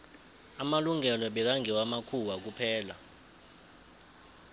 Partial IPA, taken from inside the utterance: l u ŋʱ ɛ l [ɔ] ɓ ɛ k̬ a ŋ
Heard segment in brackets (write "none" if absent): ɔ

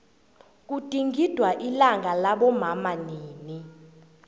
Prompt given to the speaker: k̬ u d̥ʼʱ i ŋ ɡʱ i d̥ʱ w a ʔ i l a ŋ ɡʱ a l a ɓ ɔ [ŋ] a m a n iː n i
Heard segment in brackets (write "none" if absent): m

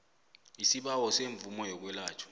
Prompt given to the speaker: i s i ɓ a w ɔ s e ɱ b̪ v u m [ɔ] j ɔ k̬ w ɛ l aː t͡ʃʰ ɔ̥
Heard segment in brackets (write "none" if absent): ɔ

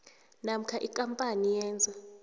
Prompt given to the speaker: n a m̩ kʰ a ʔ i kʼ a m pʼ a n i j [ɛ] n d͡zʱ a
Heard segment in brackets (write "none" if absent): ɛː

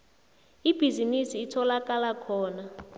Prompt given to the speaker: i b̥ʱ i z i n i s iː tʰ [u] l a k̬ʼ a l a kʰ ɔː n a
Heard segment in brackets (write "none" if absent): ɔ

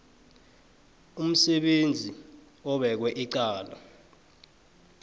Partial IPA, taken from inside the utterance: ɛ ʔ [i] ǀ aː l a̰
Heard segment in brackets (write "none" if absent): i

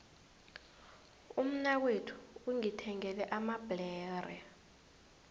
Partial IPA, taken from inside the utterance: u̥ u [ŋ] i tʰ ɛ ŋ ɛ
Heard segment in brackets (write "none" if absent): ŋ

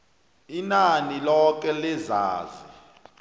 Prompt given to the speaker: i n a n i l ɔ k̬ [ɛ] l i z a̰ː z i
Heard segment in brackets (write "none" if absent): ɛ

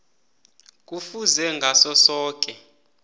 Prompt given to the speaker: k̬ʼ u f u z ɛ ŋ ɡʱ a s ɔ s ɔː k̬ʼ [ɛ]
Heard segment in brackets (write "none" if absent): ɛ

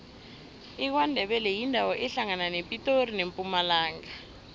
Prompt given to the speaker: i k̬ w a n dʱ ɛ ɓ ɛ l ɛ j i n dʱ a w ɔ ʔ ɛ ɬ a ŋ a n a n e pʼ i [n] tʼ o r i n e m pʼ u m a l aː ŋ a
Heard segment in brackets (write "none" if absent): none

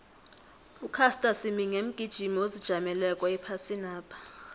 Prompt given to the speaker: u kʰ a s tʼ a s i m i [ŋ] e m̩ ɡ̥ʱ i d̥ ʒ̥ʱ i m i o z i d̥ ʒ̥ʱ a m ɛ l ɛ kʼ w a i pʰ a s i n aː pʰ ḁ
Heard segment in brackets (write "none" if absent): ŋ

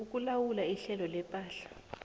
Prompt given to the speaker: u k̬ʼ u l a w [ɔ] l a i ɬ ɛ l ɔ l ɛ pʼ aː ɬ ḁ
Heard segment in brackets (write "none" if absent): u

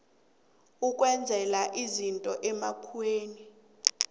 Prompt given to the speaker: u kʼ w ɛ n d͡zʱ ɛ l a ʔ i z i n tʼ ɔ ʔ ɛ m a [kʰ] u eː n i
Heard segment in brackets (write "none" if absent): kʰ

